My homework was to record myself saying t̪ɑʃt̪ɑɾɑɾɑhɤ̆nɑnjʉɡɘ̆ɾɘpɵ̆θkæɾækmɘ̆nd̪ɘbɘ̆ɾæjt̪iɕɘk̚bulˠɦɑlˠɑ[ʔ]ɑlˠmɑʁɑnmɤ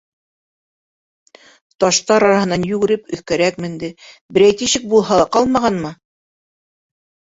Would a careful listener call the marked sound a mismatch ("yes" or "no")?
yes